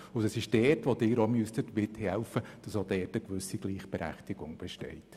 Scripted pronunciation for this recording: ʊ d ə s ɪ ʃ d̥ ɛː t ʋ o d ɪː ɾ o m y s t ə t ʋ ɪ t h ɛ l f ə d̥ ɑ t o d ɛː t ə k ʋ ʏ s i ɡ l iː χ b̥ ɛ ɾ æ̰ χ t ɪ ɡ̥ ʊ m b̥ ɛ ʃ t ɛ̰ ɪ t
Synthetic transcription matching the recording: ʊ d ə s ɪ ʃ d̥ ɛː t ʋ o d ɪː ɾ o m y s t ə t ʋ ɪ t h ɛ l f ə d̥ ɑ s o d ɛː t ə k ʋ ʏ s i ɡ l iː χ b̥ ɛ ɾ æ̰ χ t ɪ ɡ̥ ʊ ŋ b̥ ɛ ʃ t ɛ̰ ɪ t